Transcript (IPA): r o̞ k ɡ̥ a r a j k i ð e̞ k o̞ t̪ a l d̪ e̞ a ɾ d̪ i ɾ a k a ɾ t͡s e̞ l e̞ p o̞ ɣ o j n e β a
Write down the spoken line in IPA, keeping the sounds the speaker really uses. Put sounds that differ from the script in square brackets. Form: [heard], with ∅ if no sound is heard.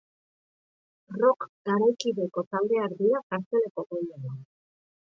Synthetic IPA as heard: r o̞ k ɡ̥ a [ɾ] a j k i ð e̞ k o̞ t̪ a l d̪ e̞ a ɾ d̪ i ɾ a k a ɾ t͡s e̞ l e̞ [k] o̞ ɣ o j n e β a